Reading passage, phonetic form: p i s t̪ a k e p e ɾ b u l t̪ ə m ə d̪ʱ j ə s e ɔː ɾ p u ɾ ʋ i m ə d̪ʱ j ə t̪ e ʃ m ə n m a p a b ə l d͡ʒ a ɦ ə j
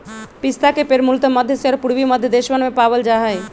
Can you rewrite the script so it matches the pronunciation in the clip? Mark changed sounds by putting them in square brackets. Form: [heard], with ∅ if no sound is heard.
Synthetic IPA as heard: p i s t̪ a k e p e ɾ [m] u l t̪ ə m ə d̪ʱ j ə s e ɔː ɾ p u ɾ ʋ i m ə d̪ʱ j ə [d̪] e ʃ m ə n m [e] p a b ə l d͡ʒ a ɦ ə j